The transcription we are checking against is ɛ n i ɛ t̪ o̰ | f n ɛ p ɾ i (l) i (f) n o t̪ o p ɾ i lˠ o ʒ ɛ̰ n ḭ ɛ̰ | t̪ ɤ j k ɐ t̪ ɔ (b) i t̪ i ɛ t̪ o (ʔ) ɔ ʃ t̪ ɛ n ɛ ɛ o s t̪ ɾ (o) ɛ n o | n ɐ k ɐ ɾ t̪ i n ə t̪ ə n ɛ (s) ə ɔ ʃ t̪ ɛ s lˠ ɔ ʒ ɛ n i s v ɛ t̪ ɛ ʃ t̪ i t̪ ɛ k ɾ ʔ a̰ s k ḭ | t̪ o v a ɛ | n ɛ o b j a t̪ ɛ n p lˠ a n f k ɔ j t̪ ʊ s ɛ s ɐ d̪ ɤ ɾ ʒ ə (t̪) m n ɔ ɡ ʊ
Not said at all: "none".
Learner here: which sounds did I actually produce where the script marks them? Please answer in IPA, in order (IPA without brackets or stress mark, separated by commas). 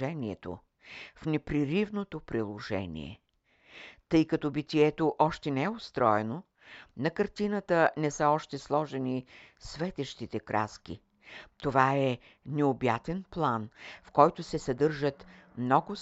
ɾ, v, b, ʔ, ɔ, s, t̪